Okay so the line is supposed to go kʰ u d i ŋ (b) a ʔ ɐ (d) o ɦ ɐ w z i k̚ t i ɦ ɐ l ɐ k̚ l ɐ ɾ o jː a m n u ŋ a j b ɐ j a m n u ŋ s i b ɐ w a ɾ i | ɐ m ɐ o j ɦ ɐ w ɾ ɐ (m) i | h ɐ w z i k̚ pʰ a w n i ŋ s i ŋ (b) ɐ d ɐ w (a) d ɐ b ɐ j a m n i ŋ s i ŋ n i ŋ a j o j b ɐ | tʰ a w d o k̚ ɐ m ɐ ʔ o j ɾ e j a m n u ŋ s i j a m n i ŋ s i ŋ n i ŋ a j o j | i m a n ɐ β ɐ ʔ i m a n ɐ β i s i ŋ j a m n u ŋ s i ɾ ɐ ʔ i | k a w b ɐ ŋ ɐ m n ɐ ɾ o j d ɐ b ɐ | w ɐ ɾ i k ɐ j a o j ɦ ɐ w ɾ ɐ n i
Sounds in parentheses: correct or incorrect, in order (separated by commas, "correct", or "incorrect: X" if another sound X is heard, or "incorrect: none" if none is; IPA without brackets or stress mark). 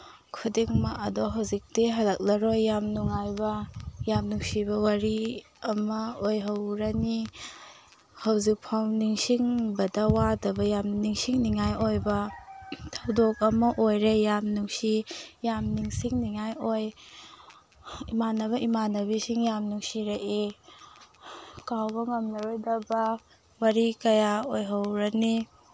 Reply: incorrect: m, correct, incorrect: n, correct, correct